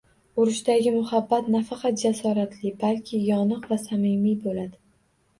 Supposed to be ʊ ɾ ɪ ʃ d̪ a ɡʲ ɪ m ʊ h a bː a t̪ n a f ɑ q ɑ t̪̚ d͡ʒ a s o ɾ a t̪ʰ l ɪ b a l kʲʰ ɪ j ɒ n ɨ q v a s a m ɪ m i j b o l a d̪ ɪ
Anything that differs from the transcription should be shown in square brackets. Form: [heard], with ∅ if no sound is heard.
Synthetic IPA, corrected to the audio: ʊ ɾ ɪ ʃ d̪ a ɡʲ ɪ m ʊ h a bː a t̪ n a f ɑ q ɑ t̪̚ d͡ʒ a s [ɒ] ɾ a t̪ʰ l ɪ b a l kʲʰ ɪ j ɒ n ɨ q v a s a m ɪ m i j b o l a d̪ ɪ